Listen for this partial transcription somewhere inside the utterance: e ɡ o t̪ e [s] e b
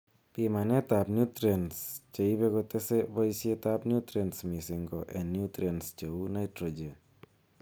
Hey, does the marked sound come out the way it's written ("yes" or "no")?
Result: yes